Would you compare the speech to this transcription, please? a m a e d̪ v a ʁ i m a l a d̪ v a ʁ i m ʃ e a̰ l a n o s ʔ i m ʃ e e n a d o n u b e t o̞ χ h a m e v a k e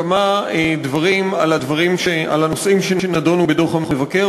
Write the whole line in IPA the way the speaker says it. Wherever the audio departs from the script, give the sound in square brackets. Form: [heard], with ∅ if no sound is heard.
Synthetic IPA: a m a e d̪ v a ʁ i m a l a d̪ v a ʁ i m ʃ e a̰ l a n o s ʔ i m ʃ e e n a d o n u b e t o̞ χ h a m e v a k e